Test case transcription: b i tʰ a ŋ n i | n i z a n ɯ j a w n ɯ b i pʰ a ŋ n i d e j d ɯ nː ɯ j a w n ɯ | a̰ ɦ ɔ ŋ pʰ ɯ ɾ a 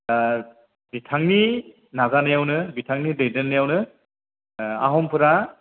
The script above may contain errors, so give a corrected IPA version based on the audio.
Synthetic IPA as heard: b i tʰ a ŋ n i | n a z a n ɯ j a w n ɯ b i tʰ a ŋ n i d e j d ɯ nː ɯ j a w n ɯ | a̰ ɦ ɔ m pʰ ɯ ɾ a